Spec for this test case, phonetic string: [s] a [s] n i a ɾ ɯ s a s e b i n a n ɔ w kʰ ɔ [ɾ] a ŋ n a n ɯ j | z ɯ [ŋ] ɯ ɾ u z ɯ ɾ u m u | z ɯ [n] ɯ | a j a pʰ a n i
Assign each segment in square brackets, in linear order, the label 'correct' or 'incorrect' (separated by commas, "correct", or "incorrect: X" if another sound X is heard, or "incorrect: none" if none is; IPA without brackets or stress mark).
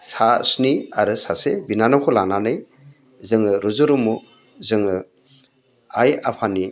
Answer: correct, correct, incorrect: l, correct, incorrect: ŋ